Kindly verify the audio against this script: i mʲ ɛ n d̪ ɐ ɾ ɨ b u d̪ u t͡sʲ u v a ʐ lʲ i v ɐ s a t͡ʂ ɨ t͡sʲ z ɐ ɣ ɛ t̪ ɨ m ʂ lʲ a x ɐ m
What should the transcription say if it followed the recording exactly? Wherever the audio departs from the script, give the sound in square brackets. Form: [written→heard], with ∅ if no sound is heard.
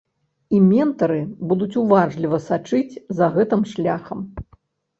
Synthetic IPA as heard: i mʲ ɛ n [d̪→t̪] ɐ ɾ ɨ b u d̪ u t͡sʲ u v a ʐ lʲ i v ɐ s a t͡ʂ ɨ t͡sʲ z ɐ ɣ ɛ t̪ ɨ m ʂ lʲ a x ɐ m